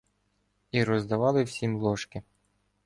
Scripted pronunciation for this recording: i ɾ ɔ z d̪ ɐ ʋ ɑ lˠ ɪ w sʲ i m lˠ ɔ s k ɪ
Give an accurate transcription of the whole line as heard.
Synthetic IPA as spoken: i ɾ ɔ z d̪ ɐ ʋ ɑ lˠ ɪ w sʲ i m lˠ ɔ ʃ k ɪ